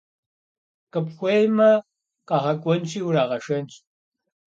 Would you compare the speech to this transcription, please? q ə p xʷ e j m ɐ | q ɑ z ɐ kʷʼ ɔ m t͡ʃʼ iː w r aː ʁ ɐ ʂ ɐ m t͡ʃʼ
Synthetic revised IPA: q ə p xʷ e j m ɐ | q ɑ ʁ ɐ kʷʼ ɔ n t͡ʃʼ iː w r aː ʁ ɐ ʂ ɐ n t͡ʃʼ